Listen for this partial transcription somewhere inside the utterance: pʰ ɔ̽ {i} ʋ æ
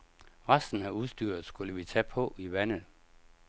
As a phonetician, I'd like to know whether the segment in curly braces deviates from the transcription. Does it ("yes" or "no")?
no